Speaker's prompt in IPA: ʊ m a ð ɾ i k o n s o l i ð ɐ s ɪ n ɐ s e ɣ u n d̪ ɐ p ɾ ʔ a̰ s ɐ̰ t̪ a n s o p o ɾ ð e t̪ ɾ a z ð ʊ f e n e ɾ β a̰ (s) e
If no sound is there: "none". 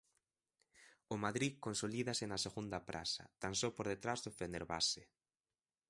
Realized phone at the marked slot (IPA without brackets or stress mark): s